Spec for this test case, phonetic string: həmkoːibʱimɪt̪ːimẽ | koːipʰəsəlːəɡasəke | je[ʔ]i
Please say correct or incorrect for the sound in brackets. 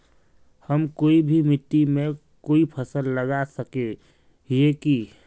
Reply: incorrect